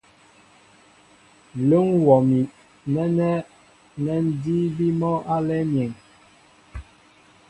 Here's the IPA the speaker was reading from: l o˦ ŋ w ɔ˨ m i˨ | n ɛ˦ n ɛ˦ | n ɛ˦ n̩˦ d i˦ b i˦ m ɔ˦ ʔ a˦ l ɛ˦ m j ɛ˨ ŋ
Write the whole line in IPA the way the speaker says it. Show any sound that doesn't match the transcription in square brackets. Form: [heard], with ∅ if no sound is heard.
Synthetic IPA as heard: l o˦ ŋ w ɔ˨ m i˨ | n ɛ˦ n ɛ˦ | n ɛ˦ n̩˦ d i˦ b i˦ m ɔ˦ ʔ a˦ l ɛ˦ m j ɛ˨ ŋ